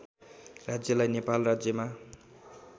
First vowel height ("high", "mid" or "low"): low